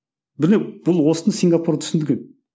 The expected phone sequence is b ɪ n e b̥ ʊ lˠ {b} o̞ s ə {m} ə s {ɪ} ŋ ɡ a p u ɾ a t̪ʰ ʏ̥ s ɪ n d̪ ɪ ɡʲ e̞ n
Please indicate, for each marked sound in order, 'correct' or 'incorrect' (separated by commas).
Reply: incorrect, incorrect, incorrect